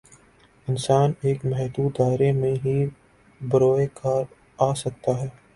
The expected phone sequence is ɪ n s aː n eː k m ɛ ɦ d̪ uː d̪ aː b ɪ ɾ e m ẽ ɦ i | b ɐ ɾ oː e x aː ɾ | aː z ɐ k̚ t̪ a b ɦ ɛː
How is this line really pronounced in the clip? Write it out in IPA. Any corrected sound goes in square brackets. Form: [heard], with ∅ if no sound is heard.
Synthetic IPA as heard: ɪ n s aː n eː k m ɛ ɦ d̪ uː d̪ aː [∅] ɪ ɾ e m ẽ ɦ i | b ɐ ɾ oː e [k] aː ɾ | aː [s] ɐ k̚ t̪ a [∅] ɦ ɛː